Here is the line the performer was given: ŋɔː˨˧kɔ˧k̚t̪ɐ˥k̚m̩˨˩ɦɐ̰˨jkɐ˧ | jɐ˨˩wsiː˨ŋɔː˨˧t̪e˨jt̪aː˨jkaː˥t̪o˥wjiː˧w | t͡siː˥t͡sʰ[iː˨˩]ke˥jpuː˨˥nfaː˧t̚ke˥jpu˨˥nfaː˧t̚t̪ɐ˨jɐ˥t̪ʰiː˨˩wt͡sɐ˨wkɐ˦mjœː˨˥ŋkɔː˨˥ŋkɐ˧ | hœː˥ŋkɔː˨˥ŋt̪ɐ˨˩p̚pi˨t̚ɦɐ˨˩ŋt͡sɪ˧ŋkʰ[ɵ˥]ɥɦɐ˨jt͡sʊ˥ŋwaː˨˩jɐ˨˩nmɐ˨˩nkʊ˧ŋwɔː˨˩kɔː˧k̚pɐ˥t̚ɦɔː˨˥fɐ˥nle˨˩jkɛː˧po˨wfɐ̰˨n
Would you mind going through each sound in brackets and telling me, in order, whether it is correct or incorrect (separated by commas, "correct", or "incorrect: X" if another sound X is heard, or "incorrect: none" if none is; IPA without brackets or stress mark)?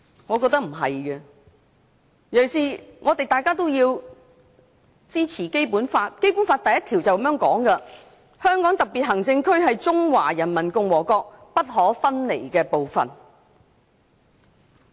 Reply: correct, correct